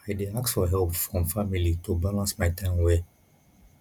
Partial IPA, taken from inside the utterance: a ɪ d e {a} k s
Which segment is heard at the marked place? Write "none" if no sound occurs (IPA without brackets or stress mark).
a